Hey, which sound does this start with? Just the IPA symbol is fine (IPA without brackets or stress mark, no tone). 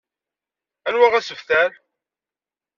æ